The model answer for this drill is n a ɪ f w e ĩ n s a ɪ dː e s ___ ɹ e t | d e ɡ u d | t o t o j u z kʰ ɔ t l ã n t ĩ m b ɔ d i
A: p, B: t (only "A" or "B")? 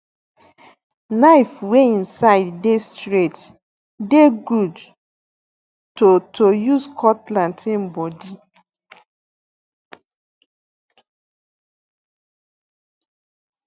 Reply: B